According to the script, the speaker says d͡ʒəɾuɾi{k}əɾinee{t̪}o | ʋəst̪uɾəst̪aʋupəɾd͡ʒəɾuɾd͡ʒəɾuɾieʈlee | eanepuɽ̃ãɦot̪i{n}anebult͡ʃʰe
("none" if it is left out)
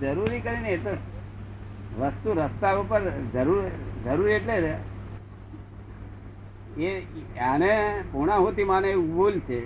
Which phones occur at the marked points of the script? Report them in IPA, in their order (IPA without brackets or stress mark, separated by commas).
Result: k, t̪, m